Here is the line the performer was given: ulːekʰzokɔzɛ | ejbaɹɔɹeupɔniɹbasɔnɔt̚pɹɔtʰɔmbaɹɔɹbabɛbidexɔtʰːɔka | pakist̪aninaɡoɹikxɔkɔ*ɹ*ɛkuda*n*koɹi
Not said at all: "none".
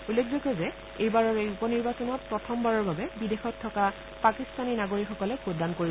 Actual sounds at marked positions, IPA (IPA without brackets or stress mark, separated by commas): l, n